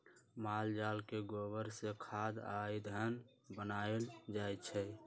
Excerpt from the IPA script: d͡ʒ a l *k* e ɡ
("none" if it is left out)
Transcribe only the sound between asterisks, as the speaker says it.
k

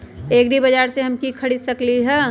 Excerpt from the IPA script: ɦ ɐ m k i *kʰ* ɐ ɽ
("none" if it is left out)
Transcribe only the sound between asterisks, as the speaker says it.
kʰ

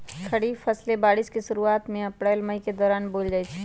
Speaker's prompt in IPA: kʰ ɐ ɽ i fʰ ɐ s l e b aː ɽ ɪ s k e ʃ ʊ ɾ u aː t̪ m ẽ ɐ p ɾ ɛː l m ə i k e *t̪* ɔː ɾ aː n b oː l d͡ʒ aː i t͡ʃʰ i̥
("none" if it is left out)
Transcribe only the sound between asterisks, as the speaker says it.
d̪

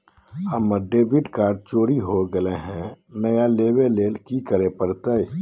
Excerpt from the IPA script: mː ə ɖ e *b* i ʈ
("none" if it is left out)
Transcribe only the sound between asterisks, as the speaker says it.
b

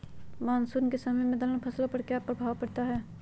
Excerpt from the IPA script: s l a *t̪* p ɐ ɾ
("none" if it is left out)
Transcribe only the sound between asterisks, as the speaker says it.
none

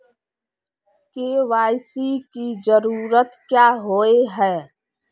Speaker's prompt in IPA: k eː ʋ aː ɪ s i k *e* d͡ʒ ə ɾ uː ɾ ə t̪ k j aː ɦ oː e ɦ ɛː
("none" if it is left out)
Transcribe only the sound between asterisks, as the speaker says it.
i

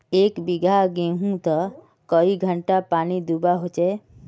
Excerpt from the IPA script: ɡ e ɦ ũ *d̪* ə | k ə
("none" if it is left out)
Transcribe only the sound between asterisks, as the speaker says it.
t̪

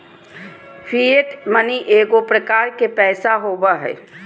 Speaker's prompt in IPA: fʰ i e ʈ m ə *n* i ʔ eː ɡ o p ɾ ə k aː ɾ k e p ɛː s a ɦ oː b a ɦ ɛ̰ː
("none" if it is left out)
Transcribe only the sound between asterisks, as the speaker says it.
n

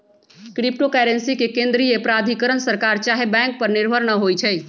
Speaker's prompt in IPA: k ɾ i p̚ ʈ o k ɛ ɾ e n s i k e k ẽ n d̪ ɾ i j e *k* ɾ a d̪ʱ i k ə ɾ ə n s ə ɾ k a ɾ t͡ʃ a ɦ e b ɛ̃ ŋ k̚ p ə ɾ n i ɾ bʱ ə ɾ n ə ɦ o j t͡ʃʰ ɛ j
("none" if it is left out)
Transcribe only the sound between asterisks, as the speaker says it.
p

